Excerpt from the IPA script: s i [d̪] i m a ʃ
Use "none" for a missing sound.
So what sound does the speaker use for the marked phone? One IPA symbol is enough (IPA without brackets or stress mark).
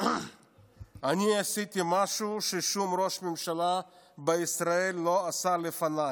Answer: t̪